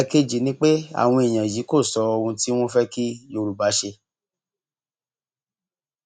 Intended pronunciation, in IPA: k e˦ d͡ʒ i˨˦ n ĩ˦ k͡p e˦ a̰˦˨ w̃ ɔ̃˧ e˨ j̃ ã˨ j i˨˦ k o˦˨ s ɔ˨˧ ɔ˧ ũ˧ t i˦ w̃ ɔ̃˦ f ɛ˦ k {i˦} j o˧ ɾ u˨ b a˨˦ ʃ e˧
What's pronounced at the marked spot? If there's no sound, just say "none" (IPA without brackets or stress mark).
i˦